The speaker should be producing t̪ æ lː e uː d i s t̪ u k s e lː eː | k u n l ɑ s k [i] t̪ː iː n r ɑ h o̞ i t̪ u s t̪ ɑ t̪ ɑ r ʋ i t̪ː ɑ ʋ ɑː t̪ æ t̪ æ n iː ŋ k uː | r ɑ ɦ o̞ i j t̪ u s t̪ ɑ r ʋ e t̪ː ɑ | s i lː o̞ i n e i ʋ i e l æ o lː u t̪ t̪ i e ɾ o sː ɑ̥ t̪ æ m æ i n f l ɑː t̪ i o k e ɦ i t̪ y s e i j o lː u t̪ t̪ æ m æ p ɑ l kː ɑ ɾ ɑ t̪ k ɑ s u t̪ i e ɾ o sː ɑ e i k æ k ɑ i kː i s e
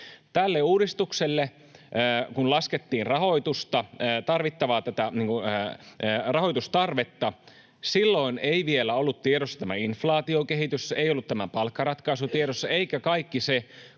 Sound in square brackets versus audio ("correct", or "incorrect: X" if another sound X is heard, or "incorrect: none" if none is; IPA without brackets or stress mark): incorrect: e